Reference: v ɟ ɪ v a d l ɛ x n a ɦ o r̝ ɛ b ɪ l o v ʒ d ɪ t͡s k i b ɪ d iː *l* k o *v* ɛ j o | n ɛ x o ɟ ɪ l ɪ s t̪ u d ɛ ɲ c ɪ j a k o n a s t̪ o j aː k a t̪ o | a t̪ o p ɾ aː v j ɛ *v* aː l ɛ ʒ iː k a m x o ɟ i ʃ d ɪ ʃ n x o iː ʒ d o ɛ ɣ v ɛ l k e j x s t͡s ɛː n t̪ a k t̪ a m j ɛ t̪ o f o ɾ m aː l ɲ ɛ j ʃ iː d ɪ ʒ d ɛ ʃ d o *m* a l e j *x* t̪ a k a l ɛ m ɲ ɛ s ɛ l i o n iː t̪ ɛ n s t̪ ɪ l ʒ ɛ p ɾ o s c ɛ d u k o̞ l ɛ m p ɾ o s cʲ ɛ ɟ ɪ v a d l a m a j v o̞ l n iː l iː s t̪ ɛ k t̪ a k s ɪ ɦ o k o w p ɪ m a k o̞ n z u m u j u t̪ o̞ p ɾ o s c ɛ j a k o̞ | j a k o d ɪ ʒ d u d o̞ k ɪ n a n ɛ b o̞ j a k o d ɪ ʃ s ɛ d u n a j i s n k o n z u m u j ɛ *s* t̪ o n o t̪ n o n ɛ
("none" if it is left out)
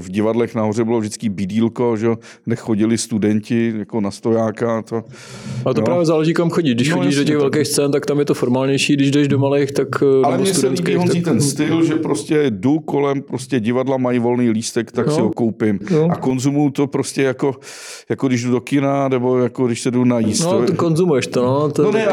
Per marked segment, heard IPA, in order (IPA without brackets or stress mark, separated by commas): l, ʒ, z, m, x, ʃ